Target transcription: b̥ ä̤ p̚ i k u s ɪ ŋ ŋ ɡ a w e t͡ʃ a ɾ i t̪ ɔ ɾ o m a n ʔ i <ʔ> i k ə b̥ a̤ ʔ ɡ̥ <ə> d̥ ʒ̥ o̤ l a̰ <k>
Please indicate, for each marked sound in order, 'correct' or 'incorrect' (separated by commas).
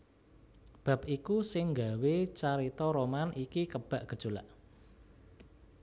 incorrect, correct, incorrect